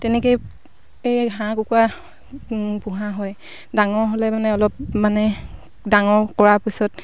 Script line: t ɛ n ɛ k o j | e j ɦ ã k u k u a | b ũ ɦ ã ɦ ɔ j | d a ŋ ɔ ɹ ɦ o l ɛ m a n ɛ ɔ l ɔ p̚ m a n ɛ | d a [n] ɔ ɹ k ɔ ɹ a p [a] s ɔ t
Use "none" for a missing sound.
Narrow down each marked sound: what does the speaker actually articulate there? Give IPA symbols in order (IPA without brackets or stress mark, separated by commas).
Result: ŋ, i